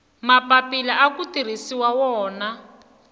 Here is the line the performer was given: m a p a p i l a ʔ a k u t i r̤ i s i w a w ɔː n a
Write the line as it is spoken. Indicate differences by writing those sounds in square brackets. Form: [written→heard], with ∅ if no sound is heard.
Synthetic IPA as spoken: m a p a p i l a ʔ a k u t i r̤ i s i w a w ɔː n a